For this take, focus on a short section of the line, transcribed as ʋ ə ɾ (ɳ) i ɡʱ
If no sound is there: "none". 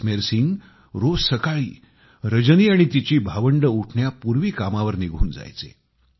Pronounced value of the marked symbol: n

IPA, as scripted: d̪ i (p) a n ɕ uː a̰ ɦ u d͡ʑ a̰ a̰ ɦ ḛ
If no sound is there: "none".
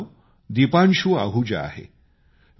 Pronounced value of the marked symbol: p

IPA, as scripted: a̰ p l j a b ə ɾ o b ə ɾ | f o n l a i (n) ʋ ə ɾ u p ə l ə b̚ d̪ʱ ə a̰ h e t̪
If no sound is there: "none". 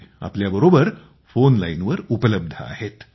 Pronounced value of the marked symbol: n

